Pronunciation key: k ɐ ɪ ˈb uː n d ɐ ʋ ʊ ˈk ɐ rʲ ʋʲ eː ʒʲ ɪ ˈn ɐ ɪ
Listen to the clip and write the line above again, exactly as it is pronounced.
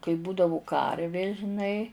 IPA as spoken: k ɐ ɪ ˈb uː d ɐ ʋ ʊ ˈk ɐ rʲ ʋʲ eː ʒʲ ɪ ˈn ɐ ɪ